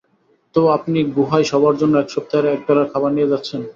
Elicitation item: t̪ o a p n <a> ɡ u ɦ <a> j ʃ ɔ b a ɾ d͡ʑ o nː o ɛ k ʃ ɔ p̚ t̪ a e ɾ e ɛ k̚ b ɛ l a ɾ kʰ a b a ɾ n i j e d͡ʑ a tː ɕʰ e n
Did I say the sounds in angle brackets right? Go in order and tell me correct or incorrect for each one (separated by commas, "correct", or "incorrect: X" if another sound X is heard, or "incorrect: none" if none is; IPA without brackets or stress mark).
incorrect: i, correct